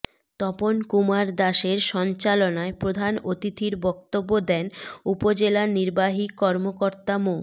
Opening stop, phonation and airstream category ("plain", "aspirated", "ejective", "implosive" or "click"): plain